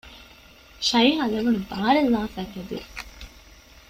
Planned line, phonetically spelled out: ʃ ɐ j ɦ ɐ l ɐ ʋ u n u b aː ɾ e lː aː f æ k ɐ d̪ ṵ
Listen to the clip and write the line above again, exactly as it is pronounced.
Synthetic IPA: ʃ ɐ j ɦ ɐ l ɐ ʋ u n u b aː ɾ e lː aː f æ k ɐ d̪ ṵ